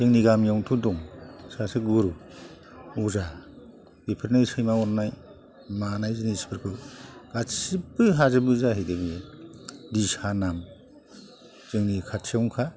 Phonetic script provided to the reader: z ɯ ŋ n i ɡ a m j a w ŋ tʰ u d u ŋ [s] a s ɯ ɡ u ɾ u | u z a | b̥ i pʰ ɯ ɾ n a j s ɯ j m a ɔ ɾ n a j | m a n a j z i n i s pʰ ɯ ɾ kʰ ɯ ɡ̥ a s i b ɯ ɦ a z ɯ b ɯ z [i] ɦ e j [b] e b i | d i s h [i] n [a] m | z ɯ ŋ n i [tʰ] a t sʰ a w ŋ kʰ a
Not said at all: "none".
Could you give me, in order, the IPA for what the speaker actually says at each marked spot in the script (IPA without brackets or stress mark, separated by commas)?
s, a, d, a, a, kʰ